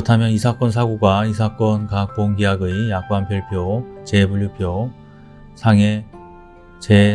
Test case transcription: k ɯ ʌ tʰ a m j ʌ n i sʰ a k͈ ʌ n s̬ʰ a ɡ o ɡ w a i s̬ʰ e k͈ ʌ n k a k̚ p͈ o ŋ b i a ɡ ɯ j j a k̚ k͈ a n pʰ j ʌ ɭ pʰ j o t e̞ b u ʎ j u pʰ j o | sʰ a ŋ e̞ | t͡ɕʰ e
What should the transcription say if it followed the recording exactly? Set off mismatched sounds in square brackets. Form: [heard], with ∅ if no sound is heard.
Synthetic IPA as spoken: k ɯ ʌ tʰ a m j ʌ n i sʰ a k͈ ʌ n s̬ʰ a ɡ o ɡ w a i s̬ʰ [a] k͈ ʌ n k a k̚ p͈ o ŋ [ɡ] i a ɡ ɯ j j a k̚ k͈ a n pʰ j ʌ ɭ pʰ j o [t͡ɕ] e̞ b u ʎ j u pʰ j o | sʰ a ŋ e̞ | [t͡ɕ] e